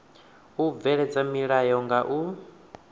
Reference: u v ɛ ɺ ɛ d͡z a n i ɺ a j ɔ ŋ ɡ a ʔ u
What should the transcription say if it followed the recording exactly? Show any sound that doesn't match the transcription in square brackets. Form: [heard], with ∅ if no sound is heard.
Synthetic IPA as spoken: u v ɛ ɺ ɛ d͡z a [m] i ɺ a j ɔ ŋ ɡ a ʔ u